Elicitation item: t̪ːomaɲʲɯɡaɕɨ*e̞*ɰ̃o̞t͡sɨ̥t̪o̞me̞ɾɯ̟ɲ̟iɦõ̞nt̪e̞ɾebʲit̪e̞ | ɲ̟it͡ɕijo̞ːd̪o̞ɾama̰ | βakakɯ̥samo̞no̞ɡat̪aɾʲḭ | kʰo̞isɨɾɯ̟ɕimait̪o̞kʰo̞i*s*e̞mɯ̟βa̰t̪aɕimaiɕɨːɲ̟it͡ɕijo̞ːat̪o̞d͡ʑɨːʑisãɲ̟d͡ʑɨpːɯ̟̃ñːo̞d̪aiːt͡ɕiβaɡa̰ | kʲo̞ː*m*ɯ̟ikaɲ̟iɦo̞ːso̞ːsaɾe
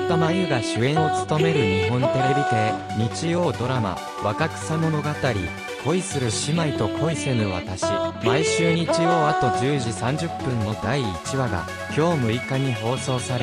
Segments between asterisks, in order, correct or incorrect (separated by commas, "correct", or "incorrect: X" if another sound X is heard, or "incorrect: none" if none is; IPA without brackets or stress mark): incorrect: ẽ̞, correct, correct